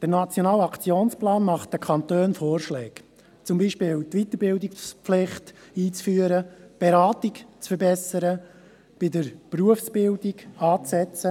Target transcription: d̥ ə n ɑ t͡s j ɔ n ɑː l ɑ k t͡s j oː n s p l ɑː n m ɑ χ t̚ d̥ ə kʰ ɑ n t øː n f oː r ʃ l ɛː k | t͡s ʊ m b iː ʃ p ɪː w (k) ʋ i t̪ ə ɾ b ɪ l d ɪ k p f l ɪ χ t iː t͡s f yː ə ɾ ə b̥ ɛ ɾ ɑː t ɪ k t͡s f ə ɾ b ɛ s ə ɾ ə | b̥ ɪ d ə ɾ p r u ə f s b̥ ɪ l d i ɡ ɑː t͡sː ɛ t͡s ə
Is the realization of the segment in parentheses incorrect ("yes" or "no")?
yes